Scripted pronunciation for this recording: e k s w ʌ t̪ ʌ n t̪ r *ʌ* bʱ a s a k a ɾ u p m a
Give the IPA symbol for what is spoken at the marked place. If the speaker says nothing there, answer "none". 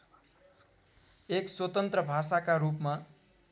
ʌ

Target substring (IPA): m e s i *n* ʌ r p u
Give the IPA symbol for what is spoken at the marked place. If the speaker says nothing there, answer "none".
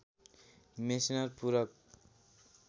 n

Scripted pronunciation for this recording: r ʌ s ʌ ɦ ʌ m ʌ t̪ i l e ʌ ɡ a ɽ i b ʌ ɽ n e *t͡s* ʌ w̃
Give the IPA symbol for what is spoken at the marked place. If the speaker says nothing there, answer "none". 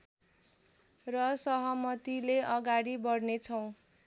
t͡sʰ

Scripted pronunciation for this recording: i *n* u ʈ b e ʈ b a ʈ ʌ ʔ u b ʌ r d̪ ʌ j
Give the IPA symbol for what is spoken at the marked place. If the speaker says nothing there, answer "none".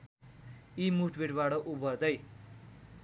m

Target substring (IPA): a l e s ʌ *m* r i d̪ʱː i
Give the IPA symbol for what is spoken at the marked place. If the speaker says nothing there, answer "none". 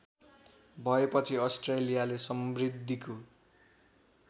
m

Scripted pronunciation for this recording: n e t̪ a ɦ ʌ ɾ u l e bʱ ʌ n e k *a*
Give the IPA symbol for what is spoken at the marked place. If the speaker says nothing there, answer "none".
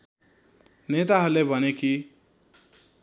i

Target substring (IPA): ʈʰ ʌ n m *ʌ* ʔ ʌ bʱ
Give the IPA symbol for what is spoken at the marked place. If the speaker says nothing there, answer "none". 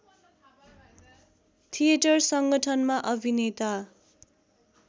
a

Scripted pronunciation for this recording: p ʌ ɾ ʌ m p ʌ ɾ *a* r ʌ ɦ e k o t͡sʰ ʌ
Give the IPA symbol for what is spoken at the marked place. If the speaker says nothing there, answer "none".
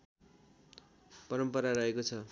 a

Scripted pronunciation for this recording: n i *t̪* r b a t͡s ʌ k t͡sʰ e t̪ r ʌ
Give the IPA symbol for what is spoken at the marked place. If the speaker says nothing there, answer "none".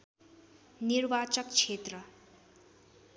none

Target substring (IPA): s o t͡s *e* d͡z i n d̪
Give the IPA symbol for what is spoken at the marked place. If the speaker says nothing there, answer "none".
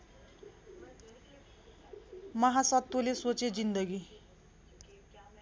e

